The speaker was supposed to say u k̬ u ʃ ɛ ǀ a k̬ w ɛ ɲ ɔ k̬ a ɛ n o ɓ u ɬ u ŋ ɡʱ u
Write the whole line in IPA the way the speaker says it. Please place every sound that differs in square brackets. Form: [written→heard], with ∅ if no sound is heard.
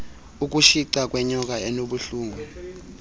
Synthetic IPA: u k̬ u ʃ [ɛ→i] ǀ a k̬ w ɛ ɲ ɔ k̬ a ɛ n o ɓ u ɬ [u→uː] ŋ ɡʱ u